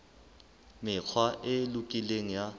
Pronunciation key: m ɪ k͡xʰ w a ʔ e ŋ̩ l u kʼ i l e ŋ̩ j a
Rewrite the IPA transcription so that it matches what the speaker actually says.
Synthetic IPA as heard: m ɪ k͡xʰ w a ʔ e l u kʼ i l e ŋ̩ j a